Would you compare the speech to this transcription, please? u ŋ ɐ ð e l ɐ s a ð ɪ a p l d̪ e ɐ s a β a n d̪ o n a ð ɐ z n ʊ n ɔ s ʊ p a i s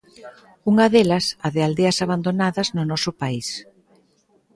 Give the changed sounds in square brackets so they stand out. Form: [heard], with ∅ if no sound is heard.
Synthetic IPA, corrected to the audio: u ŋ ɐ ð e l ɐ s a ð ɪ a [∅] l d̪ e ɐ s a β a n d̪ o n a ð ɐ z n ʊ n ɔ s ʊ p a i s